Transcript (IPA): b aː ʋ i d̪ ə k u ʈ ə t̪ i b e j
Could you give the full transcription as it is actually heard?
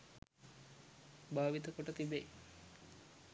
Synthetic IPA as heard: b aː ʋ i t̪ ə k o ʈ ə t̪ i b e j